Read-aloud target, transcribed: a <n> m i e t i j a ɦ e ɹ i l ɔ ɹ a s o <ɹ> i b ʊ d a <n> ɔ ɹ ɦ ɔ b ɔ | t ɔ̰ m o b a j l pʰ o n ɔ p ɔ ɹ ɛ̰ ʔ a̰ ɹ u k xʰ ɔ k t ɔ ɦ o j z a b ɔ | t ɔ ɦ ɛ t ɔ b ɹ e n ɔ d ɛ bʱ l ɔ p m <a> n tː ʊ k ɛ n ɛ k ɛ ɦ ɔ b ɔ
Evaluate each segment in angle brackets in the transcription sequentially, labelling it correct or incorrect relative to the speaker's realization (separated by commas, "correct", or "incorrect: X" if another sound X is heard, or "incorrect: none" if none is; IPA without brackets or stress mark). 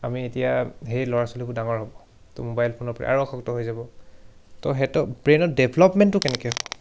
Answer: incorrect: none, incorrect: l, incorrect: ŋ, incorrect: ɛ